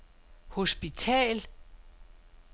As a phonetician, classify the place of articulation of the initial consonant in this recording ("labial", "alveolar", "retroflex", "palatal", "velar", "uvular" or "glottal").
glottal